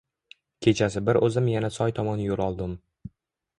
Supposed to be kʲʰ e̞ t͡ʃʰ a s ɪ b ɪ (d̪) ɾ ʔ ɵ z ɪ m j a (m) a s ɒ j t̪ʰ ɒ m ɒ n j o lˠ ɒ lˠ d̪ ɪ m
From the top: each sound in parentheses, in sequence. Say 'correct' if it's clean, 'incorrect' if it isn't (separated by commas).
incorrect, incorrect